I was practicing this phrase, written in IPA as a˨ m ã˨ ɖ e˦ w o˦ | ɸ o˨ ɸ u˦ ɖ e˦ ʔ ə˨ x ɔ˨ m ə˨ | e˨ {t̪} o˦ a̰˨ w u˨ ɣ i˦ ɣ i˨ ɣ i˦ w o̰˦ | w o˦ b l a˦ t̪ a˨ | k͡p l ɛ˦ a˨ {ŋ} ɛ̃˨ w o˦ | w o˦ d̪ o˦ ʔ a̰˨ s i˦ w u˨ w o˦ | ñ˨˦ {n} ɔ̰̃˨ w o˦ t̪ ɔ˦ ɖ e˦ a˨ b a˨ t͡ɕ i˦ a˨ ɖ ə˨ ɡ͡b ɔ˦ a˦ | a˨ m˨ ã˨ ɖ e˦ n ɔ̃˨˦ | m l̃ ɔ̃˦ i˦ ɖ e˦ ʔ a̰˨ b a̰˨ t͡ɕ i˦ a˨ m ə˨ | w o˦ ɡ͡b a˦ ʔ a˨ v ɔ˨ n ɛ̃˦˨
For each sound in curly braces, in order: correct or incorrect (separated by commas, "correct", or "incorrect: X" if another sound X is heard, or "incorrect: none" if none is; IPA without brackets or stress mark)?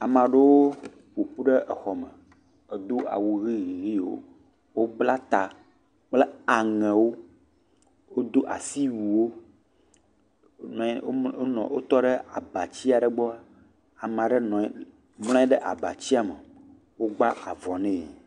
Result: incorrect: d̪, correct, correct